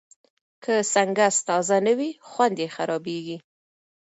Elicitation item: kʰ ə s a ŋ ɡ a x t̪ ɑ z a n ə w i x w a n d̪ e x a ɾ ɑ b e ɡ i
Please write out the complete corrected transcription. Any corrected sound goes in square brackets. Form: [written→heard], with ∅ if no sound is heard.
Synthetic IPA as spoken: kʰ ə s a ŋ ɡ a [x→s] t̪ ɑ z a n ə w i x w a n d̪ e x a ɾ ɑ b e ɡ i